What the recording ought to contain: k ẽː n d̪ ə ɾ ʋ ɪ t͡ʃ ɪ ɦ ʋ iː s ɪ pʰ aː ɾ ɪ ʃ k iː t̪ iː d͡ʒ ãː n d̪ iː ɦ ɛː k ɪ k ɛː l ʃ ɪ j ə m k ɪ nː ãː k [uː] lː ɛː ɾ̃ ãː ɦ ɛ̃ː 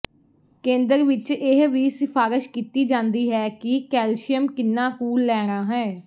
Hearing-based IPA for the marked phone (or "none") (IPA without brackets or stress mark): uː